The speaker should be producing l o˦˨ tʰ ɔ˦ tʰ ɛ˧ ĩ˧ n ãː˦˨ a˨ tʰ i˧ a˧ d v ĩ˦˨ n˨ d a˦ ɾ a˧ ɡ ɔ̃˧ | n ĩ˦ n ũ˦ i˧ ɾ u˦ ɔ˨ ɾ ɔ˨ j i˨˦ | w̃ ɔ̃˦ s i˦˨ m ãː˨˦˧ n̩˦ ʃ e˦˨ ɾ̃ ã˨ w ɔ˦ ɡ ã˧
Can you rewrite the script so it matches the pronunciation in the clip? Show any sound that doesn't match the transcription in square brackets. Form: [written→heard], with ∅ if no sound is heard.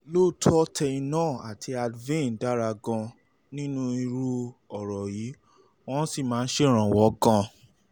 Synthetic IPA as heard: l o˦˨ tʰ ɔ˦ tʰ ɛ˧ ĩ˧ n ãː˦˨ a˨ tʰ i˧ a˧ d v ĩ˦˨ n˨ d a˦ ɾ a˧ ɡ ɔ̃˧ | n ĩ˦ n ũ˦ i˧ ɾ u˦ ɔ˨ ɾ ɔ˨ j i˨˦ | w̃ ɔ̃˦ s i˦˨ m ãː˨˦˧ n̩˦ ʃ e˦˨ ɾ̃ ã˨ w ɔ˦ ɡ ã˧